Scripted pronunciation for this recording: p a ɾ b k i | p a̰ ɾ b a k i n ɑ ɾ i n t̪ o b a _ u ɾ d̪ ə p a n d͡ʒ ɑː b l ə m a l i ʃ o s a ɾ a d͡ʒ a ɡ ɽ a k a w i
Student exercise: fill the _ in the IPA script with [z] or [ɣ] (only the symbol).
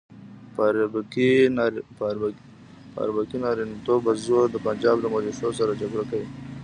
z